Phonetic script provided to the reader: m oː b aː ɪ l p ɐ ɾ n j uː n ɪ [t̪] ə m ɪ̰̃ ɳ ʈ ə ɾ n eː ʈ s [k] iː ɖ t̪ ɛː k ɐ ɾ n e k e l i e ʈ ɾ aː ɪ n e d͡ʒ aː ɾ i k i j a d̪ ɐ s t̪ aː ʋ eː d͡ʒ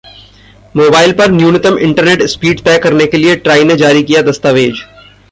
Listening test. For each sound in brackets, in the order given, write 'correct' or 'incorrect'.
correct, incorrect

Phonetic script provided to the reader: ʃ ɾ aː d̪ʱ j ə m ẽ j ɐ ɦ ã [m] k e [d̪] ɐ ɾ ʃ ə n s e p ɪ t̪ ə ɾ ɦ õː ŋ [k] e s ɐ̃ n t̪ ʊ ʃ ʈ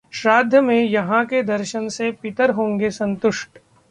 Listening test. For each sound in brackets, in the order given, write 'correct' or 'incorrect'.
incorrect, correct, incorrect

